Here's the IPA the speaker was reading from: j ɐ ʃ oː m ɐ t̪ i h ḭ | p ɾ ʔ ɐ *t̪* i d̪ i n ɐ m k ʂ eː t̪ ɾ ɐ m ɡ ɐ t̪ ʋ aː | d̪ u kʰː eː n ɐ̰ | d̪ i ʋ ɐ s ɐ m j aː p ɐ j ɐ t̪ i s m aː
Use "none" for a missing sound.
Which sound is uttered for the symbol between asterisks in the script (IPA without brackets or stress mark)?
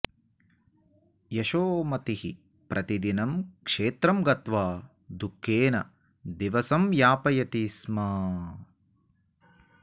t̪